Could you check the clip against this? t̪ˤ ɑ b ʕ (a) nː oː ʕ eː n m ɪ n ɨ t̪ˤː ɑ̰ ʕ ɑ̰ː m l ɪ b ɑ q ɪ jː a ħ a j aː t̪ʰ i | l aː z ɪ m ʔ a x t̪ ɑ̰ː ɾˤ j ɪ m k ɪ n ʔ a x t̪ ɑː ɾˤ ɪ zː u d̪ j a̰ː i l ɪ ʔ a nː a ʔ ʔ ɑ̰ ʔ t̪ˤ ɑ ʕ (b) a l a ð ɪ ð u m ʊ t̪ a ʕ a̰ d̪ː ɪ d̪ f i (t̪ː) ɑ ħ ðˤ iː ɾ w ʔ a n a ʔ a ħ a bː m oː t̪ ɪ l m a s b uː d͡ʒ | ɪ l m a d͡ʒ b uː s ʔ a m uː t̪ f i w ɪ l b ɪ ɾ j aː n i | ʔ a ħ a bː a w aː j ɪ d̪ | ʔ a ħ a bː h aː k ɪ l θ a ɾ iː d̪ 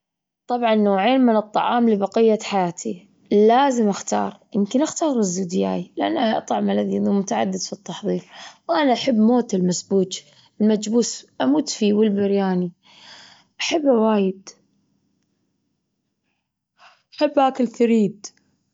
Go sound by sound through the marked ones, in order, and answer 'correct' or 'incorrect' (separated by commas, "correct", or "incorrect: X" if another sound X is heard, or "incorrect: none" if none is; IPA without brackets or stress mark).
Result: incorrect: ɑ, incorrect: m, correct